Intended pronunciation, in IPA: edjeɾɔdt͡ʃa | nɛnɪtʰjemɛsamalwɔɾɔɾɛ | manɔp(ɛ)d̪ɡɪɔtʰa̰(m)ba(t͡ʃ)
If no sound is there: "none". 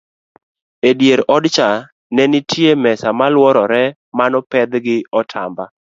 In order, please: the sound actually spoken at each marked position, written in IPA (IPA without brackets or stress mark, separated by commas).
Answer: ɛ, m, none